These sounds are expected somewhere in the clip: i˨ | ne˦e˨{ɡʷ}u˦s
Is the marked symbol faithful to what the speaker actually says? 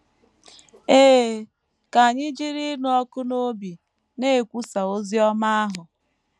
no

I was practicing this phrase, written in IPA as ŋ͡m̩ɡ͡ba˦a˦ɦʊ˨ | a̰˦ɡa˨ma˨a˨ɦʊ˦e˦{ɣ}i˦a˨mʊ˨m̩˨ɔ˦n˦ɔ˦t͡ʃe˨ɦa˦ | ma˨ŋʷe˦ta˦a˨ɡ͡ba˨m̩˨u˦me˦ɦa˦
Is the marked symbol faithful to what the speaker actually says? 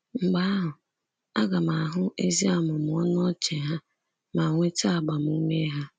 no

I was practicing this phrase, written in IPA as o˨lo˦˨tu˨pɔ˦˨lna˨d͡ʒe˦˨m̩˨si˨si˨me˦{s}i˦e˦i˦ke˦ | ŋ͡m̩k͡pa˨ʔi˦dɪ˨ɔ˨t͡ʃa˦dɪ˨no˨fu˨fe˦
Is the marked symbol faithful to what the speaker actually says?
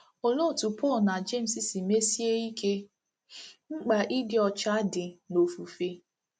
yes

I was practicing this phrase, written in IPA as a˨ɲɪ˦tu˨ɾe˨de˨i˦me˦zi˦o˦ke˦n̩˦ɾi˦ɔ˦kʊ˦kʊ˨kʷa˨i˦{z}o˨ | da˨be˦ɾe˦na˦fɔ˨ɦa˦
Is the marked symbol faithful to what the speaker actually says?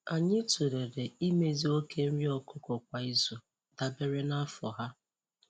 yes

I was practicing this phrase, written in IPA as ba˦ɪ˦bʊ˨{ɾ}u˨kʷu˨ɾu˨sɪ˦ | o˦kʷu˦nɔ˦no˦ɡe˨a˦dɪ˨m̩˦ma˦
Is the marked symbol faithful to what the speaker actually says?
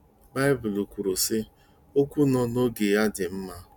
no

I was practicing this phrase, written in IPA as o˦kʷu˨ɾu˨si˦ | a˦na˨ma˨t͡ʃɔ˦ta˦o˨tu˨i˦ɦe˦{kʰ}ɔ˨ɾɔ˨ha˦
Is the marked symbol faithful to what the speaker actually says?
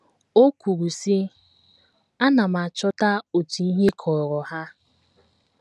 yes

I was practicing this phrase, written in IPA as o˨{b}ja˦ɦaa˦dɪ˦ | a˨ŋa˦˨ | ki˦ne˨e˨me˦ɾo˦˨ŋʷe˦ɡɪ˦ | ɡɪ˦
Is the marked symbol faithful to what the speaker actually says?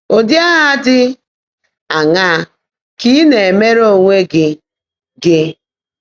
no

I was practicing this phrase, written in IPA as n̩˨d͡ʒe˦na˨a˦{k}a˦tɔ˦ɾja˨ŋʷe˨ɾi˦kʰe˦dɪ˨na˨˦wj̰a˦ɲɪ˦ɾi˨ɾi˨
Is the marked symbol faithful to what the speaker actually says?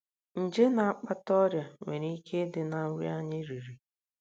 no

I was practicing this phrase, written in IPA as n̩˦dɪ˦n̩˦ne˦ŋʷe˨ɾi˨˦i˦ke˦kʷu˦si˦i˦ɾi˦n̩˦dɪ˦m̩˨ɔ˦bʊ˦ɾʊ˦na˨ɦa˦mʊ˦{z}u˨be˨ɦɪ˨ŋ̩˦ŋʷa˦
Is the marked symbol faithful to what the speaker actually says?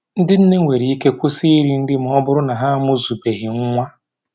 yes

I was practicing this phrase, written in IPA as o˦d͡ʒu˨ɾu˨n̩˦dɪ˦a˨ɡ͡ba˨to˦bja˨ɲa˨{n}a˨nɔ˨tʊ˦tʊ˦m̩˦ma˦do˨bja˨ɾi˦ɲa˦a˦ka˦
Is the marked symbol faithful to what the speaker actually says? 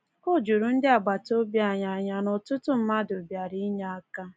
no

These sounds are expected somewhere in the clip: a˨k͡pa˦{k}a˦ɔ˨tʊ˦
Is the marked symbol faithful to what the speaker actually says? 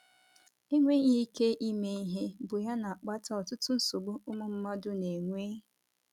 no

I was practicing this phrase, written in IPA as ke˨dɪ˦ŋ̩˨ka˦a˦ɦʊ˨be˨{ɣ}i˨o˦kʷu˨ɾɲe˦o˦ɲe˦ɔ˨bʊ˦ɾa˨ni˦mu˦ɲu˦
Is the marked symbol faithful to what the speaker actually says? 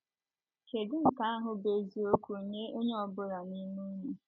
no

